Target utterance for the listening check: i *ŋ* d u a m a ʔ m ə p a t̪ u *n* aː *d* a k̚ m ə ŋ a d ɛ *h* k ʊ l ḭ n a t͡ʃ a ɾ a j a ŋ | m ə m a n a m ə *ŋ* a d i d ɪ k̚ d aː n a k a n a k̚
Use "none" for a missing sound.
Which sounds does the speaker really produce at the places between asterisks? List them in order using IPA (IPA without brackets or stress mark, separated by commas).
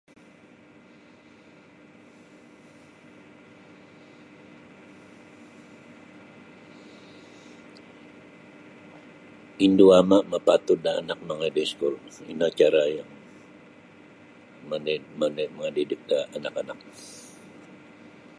n, d, n, s, ŋ